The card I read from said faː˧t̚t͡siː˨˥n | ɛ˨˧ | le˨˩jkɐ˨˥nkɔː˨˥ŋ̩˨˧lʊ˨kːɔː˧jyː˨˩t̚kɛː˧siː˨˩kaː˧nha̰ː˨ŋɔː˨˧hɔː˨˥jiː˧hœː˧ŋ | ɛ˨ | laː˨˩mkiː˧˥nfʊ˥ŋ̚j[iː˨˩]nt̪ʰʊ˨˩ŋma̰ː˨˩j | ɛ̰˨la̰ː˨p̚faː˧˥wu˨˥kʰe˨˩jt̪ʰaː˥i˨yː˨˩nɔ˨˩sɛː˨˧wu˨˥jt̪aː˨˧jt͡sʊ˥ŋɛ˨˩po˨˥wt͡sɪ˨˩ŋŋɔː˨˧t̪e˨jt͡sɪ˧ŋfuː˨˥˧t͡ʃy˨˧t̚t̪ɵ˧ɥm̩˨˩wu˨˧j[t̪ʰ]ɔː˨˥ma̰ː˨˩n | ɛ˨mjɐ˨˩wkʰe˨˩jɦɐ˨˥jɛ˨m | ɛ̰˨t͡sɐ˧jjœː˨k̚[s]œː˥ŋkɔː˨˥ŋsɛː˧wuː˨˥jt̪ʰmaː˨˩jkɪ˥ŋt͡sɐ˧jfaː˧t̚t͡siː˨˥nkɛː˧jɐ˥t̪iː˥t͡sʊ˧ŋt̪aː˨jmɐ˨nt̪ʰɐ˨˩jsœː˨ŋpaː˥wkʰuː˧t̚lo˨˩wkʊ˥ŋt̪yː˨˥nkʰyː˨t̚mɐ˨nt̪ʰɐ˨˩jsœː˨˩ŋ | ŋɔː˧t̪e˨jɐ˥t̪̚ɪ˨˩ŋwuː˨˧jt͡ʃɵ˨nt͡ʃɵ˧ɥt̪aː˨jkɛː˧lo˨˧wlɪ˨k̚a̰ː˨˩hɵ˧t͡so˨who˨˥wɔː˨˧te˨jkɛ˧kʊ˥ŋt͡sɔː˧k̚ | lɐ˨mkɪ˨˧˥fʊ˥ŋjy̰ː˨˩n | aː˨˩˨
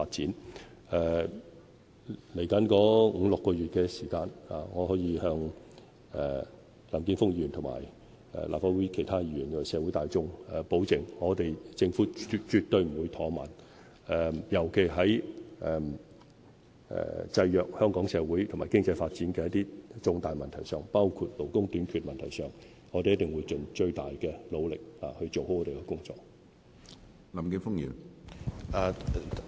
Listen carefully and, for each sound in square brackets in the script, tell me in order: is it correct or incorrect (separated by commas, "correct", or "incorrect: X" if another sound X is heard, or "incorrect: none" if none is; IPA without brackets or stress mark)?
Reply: incorrect: yː˨˩, correct, incorrect: h